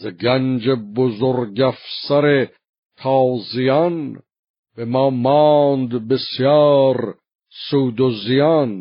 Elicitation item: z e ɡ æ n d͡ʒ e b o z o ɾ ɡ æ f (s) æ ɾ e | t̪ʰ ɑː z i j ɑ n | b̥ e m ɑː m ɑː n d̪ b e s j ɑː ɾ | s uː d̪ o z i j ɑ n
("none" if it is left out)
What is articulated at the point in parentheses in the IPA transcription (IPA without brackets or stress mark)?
s